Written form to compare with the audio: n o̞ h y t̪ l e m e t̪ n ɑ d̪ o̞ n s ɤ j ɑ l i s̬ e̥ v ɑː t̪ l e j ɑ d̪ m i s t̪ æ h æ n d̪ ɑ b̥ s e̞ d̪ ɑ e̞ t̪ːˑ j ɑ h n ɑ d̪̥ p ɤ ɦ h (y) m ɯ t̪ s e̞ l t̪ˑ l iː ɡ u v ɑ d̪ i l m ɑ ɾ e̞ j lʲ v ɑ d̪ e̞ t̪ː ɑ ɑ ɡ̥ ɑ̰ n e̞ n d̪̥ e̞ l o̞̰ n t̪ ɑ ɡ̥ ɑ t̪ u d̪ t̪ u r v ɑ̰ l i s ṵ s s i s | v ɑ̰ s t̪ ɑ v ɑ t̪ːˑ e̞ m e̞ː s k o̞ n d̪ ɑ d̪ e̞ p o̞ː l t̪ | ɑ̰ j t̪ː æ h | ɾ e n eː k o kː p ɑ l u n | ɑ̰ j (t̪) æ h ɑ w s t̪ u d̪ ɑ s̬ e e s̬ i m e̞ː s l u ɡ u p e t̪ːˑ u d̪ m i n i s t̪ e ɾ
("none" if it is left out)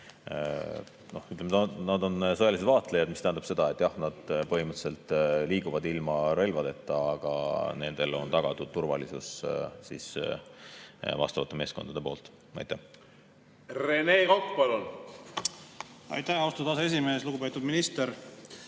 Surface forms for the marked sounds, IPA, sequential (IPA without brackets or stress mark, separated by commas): i, t̪